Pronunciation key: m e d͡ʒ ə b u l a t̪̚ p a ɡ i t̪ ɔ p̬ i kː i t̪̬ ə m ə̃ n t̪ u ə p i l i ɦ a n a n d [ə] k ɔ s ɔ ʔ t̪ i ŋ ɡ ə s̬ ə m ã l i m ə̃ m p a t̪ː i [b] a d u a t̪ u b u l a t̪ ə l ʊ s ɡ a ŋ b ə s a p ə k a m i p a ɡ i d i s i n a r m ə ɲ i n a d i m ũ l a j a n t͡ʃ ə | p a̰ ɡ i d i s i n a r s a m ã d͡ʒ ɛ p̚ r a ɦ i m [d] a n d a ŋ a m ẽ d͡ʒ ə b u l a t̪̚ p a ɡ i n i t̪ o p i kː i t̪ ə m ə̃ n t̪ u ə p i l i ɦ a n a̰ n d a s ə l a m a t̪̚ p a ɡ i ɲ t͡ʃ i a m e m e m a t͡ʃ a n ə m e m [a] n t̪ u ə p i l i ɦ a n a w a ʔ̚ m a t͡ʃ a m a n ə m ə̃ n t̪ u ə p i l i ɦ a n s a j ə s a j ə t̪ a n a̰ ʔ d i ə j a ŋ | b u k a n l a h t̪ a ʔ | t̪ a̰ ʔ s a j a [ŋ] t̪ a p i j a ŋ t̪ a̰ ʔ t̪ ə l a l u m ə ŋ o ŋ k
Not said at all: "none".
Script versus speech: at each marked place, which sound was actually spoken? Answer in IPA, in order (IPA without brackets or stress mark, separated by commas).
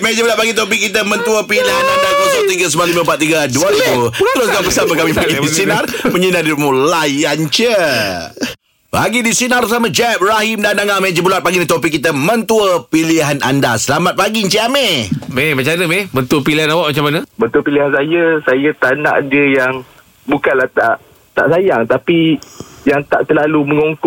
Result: a, ɡ, d, ə, ŋ